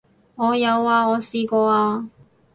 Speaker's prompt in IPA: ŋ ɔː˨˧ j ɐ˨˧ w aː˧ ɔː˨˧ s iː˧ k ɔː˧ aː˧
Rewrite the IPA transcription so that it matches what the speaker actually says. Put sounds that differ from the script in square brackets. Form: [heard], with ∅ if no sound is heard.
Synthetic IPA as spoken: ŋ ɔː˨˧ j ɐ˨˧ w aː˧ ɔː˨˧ s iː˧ k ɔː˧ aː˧